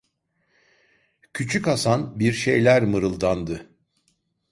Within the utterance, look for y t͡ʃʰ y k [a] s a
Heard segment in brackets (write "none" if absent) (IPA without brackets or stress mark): a